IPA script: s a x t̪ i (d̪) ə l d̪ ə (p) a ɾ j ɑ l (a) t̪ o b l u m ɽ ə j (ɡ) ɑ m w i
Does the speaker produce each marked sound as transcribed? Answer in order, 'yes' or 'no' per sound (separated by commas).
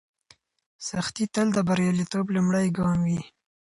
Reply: no, no, no, yes